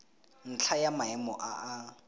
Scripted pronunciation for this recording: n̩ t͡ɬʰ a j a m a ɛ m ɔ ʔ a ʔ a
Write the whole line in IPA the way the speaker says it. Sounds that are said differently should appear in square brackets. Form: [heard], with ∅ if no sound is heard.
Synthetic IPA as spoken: n̩ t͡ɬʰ a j a m a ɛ m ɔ ʔ a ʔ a